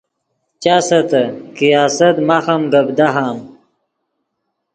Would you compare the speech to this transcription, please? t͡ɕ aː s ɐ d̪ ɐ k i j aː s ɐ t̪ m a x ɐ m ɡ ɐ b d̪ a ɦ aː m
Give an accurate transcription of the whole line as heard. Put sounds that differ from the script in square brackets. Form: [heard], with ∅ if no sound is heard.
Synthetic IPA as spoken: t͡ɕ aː s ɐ [t̪] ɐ k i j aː s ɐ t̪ m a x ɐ m ɡ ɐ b d̪ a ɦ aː m